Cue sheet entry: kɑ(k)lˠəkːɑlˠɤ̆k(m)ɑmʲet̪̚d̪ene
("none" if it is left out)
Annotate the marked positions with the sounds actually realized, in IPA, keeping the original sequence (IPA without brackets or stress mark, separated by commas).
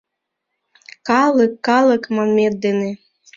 none, m